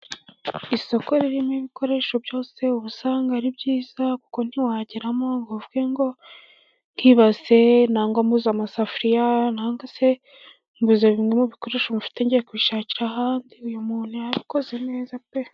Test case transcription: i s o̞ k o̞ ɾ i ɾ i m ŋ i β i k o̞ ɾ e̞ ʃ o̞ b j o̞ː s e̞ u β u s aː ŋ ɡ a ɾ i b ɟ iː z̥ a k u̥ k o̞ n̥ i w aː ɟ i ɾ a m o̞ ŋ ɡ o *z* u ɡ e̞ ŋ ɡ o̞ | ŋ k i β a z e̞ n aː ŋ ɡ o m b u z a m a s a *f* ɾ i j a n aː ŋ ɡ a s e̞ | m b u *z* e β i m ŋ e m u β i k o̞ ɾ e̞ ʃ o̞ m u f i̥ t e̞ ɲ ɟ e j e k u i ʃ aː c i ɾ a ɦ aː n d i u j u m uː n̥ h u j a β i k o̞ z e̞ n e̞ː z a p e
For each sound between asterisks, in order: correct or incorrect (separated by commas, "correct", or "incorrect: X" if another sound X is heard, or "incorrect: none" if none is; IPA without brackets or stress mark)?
incorrect: v, correct, correct